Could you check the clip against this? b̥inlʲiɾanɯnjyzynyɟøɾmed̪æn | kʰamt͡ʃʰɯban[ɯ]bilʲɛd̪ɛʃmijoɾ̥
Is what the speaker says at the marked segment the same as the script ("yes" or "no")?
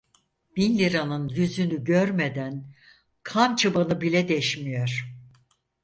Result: yes